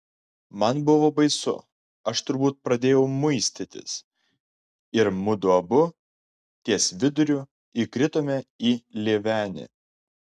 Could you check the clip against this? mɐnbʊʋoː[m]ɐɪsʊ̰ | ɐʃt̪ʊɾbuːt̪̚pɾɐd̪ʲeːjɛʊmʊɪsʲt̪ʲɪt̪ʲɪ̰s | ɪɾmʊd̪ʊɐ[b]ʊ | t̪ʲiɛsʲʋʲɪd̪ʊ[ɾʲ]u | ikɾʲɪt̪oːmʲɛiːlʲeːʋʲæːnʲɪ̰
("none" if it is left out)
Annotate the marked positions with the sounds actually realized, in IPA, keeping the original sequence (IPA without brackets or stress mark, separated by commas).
b, b, ɾʲ